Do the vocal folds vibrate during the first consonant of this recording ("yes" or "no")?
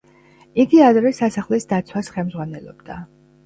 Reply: yes